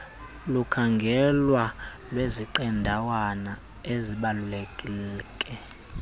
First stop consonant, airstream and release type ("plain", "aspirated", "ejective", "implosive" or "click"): aspirated